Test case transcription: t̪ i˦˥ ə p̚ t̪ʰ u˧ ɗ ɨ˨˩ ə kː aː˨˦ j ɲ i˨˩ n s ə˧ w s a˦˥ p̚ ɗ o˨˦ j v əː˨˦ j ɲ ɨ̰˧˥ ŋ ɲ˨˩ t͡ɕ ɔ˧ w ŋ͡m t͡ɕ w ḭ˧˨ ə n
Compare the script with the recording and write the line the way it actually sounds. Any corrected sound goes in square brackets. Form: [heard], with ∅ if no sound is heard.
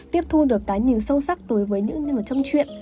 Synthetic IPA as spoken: t̪ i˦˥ ə p̚ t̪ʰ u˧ ɗ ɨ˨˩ ə kː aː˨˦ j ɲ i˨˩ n s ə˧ w s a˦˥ [k̚] ɗ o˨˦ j v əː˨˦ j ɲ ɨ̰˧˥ ŋ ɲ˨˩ t͡ɕ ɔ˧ w ŋ͡m t͡ɕ w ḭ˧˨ ə n

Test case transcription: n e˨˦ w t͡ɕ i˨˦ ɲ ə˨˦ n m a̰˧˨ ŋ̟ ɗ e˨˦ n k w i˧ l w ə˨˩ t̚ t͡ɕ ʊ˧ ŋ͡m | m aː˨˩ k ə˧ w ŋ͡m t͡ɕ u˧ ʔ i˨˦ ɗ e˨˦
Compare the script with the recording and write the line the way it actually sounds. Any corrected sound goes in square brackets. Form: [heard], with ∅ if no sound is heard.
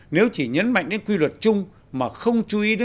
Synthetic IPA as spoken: n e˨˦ w t͡ɕ [i˧˩] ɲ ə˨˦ n m a̰˧˨ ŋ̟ ɗ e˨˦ n k w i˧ l w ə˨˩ t̚ t͡ɕ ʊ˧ ŋ͡m | m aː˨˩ [x] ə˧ w ŋ͡m t͡ɕ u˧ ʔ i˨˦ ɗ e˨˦

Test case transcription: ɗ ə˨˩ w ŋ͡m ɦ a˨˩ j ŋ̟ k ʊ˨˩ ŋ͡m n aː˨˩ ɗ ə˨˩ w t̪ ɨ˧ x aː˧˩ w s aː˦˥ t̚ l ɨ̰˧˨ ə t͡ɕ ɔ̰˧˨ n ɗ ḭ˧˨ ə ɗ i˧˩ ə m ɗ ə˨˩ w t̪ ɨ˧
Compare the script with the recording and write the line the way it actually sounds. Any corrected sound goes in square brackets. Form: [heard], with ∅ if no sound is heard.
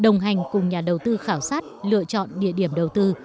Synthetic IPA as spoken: ɗ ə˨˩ w ŋ͡m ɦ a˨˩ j ŋ̟ k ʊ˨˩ ŋ͡m [ɲ] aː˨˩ ɗ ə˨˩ w t̪ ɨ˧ x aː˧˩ w s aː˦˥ t̚ l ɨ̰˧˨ ə t͡ɕ ɔ̰˧˨ n ɗ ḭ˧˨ ə ɗ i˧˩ ə m ɗ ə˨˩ w t̪ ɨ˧

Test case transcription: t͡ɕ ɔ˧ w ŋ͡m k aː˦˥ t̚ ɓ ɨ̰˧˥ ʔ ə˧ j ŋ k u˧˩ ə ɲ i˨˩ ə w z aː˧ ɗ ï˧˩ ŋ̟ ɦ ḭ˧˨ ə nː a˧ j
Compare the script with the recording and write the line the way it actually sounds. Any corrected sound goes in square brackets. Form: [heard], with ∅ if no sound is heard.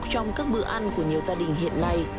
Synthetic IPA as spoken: t͡ɕ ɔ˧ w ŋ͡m k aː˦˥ [k̚] ɓ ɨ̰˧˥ ʔ [a˧] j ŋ k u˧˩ ə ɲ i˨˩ ə w z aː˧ ɗ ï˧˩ ŋ̟ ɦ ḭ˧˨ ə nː a˧ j

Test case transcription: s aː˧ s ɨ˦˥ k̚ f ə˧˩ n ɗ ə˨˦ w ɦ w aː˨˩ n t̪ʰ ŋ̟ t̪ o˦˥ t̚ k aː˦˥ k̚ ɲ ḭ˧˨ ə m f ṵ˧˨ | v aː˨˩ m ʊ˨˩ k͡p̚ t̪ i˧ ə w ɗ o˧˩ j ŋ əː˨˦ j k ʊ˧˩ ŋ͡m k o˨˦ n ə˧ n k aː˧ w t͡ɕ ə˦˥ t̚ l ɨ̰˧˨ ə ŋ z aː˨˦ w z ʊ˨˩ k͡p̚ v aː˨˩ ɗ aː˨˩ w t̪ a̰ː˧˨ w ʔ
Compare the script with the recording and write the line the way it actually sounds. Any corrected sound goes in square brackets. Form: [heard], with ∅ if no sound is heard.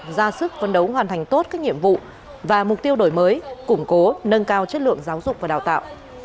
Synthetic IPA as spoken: [z] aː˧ s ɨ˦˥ k̚ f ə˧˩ n ɗ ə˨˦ w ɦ w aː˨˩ n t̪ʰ ŋ̟ t̪ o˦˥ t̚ k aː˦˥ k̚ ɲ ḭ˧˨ ə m [v] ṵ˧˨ | v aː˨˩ m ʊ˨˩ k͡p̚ t̪ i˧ ə w ɗ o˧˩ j [m] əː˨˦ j k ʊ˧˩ ŋ͡m k o˨˦ n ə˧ n k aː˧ w t͡ɕ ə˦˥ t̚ l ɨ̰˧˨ ə ŋ z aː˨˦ w z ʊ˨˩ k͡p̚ v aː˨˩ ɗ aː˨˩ w t̪ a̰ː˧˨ w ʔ

